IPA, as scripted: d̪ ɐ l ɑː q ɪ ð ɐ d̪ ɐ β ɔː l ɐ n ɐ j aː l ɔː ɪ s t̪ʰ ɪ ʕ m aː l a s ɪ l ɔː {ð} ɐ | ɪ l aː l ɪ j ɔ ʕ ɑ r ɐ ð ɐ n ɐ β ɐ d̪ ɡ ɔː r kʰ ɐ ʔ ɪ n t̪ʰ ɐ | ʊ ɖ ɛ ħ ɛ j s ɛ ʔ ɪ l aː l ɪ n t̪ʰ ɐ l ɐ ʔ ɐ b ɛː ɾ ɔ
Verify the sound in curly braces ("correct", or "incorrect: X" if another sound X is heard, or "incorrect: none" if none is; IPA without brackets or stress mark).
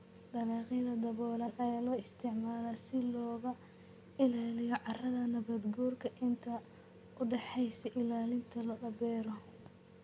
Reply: incorrect: ɣ